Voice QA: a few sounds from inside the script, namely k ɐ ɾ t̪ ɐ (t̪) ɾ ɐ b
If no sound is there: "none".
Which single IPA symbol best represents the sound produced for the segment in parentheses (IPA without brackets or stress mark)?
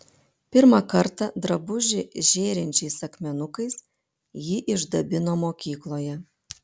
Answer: d̪